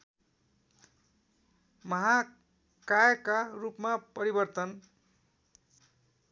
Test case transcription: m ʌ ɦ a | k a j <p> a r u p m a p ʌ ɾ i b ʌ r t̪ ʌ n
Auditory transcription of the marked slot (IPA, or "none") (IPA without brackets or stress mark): k